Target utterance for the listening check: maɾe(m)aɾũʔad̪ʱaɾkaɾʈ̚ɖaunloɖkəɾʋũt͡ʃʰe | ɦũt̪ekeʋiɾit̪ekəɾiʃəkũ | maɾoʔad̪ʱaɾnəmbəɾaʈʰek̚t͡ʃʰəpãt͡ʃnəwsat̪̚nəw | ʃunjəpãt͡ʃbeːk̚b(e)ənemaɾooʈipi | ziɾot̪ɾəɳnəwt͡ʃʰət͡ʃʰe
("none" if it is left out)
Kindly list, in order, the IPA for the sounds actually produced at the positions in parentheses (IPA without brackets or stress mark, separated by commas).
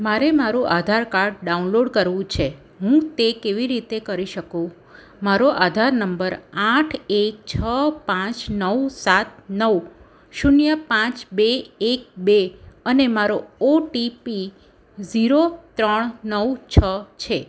m, e